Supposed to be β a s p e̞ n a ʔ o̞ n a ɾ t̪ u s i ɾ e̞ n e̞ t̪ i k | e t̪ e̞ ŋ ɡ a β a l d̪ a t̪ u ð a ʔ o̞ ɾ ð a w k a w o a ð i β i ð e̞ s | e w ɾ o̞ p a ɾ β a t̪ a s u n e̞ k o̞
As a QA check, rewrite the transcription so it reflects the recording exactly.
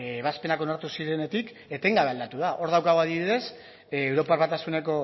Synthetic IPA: β a s p e̞ n a k o̞ n a ɾ t̪ u s i ɾ e̞ n e̞ t̪ i k | e t̪ e̞ ŋ ɡ a β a l d̪ a t̪ u ð a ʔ o̞ ɾ ð a w k a ɣ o a ð i β i ð e̞ s | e w ɾ o̞ p a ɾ β a t̪ a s u n e̞ k o̞

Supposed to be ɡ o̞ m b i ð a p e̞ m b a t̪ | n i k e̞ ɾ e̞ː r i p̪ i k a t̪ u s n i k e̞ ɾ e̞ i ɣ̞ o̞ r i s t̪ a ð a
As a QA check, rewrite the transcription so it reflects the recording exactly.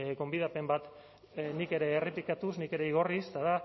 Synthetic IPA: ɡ o̞ m b i ð a p e̞ m b a t̪ | n i k e̞ ɾ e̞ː r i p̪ i k a t̪ u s n i k e̞ ɾ e̞ i ɣ̞ o̞ r i s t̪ a ð a

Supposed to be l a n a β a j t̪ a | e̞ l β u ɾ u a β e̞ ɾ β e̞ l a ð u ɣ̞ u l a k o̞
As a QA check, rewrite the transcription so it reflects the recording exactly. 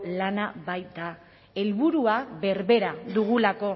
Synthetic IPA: l a n a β a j t̪ a | e̞ l β u ɾ u a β e̞ ɾ β e̞ ɾ a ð u ɣ̞ u l a k o̞

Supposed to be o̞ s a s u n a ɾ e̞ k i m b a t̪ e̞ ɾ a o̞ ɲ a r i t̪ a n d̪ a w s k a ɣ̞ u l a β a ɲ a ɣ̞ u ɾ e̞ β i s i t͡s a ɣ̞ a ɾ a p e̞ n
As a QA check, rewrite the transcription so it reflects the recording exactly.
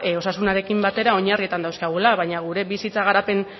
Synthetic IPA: o̞ s a s u n a ɾ e̞ k i m b a t̪ e̞ ɾ a o̞ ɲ a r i t̪ a n d̪ a w s k a ɣ̞ u l a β a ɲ a ɣ̞ u ɾ e̞ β i s i t͡s a ɣ̞ a ɾ a p e̞ n

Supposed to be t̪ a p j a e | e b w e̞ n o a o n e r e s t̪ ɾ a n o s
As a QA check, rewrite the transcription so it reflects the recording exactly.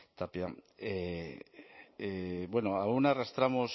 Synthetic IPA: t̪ a p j a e | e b w e̞ n o a u n a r a s t̪ ɾ a m o s

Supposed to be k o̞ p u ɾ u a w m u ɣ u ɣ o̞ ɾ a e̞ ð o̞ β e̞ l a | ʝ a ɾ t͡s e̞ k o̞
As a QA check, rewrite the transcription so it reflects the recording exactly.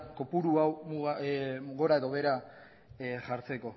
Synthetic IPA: k o̞ p u ɾ u a w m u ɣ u ɣ o̞ ɾ a e̞ ð o̞ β e̞ ɾ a | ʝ a ɾ t͡s e̞ k o̞

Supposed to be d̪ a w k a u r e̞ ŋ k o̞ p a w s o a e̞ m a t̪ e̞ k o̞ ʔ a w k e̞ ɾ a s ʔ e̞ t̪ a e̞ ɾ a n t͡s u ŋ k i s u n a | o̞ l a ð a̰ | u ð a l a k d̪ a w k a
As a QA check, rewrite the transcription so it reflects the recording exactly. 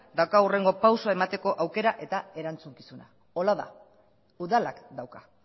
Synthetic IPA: d̪ a w k a u r e̞ ŋ ɡ o̞ p a w s o a e̞ m a t̪ e̞ k o̞ ʔ a w k e̞ ɾ a ʔ e̞ t̪ a e̞ ɾ a n t͡s u ŋ k i s u n a | o̞ l a ð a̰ | u ð a l a k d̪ a w k a

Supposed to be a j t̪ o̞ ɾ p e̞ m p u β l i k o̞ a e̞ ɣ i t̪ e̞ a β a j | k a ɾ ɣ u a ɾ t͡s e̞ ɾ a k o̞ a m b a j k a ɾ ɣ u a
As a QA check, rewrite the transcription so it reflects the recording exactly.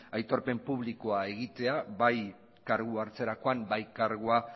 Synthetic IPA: a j t̪ o̞ ɾ p e̞ m p u β l i k o̞ a e̞ ɣ i t̪ e̞ a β a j | k a ɾ ɣ u a ɾ t͡s e̞ ɾ a k o̞ a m b a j k a ɾ ɣ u a

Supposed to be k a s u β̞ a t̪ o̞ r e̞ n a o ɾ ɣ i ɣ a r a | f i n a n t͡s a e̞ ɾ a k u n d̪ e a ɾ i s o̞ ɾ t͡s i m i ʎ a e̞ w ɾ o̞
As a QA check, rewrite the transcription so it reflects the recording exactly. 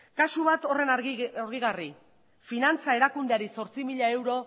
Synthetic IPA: k a s u β̞ a t̪ o̞ r e̞ n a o ɾ ɣ i ɣ a r i | f i n a n t͡s a e̞ ɾ a k u n d̪ e a ɾ i s o̞ ɾ t͡s i m i ʎ a e̞ w ɾ o̞

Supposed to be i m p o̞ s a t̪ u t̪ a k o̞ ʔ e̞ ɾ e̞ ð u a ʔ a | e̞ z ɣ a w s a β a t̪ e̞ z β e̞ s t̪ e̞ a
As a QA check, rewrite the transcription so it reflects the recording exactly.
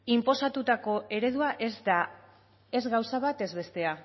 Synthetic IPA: i m p o̞ s a t̪ u t̪ a k o̞ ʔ e̞ ɾ e̞ ð u a ʔ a | e̞ z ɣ a w s a β a t̪ e̞ z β e̞ s t̪ e̞ a

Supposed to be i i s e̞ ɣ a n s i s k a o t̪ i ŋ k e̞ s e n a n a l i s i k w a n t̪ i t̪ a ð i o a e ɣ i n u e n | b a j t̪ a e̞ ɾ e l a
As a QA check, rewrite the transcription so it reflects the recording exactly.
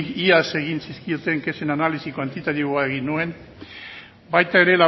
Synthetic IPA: i a s e̞ ɣ i n s i s k i o t̪ e ŋ k e̞ s e n a n a l i s i k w a n t̪ i t̪ a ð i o a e ɣ i n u e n | b a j t̪ a e̞ ɾ e l a

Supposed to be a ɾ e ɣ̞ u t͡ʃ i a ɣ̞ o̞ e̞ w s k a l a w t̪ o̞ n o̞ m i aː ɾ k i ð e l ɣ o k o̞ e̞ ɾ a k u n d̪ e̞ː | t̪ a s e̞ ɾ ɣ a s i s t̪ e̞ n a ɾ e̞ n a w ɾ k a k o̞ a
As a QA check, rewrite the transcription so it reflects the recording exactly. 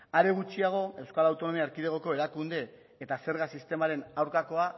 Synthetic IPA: a ɾ e ɣ̞ u t͡ʃ i a ɣ̞ o̞ e̞ w s k a l a w t̪ o̞ n o̞ m i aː ɾ k i ð e ɣ o k o̞ e̞ ɾ a k u n d̪ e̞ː | t̪ a s e̞ ɾ ɣ a s i s t̪ e̞ m a ɾ e̞ n a w ɾ k a k o̞ a

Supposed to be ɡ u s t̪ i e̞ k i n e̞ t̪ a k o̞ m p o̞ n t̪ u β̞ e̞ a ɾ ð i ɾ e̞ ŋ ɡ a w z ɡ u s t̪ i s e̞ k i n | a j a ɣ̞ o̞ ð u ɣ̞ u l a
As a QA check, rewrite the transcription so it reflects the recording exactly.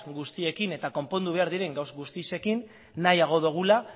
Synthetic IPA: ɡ u s t̪ i e̞ k i n e̞ t̪ a k o̞ m p o̞ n d̪ u β̞ e̞ a ɾ ð i ɾ e̞ ŋ ɡ a w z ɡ u s t̪ i s e̞ k i nː | a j a ɣ̞ o̞ ð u ɣ̞ u l a

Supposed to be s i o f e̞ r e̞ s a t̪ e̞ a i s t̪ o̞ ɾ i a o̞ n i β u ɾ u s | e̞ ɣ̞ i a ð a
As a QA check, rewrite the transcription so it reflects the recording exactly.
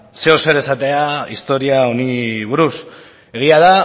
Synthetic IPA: s e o s e̞ ɾ e̞ s a t̪ e̞ a i s t̪ o̞ ɾ i a o̞ n i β u ɾ u s | e̞ ɣ̞ i a ð a

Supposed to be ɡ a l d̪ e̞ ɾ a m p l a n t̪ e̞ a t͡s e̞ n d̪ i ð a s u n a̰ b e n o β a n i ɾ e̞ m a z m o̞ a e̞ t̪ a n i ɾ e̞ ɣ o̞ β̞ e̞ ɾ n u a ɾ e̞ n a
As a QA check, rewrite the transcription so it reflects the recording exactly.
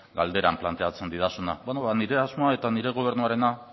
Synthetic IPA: ɡ a l d̪ e̞ ɾ a m p l a n t̪ e̞ a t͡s e̞ n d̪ i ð a s u n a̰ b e n o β a n i ɾ e̞ a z m o̞ a e̞ t̪ a n i ɾ e̞ ɣ o̞ β̞ e̞ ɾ n u a ɾ e̞ n a

